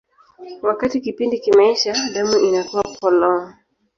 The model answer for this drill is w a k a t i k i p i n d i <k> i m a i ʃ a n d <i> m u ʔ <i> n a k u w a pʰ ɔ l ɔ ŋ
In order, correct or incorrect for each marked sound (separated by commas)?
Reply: correct, incorrect, correct